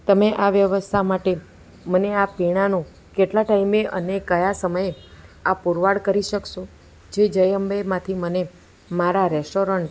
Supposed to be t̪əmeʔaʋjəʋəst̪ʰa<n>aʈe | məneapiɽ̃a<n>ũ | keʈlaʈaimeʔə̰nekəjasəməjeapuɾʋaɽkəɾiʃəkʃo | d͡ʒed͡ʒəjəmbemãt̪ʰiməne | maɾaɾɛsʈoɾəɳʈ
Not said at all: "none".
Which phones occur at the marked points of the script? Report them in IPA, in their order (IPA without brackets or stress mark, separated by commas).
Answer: m, n